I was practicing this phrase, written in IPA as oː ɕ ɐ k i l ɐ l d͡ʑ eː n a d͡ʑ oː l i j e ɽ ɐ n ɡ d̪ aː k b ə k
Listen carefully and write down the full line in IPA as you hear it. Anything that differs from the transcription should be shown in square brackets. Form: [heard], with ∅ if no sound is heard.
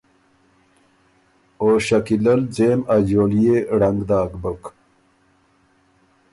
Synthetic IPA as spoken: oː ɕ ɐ k i l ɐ l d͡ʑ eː [m] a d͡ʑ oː l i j e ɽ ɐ [ŋ] ɡ d̪ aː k b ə k